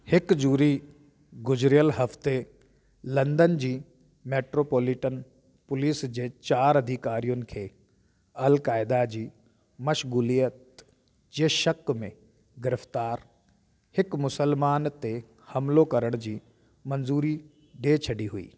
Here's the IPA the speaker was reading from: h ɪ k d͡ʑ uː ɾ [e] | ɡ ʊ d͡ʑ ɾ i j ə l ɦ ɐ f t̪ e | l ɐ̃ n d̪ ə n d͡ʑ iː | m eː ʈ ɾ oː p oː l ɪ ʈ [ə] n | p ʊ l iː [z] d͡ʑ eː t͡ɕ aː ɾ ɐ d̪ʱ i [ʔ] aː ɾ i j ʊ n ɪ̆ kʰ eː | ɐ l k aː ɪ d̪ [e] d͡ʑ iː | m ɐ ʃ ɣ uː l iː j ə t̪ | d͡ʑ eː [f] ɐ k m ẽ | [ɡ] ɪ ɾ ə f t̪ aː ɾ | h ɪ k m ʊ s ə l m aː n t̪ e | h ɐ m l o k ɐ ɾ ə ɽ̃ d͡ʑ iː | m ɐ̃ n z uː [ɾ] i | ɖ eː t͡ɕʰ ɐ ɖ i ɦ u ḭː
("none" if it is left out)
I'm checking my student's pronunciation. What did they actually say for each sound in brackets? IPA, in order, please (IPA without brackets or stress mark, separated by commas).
i, ə, s, k, a, ʃ, ɡ, ɾ